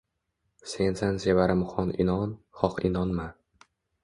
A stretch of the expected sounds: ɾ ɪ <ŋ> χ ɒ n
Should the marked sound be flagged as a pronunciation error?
yes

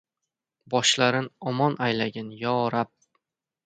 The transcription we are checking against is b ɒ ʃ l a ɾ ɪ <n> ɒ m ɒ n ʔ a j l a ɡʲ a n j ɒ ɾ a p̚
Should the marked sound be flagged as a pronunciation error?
no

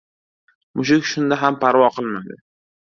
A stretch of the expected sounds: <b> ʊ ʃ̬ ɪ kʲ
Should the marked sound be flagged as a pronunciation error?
yes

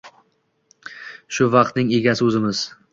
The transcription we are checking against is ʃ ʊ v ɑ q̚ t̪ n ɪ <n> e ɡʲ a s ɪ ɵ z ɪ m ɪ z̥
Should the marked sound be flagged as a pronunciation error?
yes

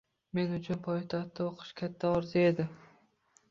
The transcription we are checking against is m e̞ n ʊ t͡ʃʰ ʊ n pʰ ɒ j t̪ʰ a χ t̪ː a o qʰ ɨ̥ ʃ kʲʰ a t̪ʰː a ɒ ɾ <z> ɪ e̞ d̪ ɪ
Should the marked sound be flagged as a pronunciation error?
no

